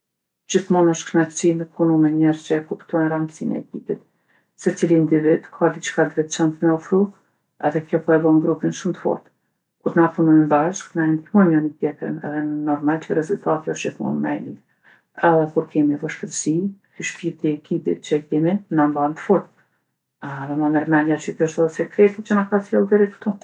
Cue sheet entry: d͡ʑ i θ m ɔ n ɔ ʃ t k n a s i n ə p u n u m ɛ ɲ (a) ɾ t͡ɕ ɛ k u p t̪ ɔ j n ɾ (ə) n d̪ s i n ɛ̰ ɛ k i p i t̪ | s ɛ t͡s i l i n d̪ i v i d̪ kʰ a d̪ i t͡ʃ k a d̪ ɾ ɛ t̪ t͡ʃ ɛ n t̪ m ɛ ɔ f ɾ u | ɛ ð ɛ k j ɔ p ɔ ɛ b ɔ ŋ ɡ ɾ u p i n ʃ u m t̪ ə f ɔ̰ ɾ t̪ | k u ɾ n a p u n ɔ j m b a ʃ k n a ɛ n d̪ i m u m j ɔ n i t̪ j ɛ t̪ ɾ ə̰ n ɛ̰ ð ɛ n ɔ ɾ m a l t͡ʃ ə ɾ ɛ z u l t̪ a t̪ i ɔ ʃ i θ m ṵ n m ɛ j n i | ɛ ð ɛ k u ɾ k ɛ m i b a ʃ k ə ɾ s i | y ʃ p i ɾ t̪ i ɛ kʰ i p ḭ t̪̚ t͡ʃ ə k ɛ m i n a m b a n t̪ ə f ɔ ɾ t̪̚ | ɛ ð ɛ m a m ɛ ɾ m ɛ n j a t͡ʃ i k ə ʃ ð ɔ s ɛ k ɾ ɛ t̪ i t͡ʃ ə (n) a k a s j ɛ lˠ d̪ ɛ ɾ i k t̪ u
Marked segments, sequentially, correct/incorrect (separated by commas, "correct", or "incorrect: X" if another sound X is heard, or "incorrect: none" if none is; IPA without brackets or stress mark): incorrect: ɛ, incorrect: a, correct